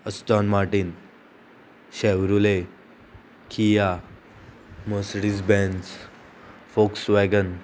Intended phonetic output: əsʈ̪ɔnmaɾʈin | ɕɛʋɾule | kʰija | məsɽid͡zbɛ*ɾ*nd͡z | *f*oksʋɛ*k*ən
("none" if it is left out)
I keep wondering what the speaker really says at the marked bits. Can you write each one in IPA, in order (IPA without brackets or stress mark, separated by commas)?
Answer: none, f, ɡ